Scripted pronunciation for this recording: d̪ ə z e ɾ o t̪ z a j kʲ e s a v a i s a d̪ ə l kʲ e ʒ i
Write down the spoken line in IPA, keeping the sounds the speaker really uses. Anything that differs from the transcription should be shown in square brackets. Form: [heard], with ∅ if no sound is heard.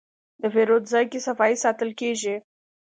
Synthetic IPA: d̪ ə [v] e ɾ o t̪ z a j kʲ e s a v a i s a [t̪] ə l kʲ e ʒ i